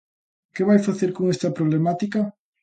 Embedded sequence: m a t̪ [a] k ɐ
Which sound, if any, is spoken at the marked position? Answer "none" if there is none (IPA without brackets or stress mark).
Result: i